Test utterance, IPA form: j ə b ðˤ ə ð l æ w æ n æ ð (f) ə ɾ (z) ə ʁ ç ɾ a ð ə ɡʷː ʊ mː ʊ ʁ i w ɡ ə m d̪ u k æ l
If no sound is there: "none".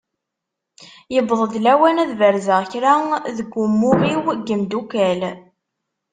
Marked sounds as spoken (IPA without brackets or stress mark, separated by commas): v, z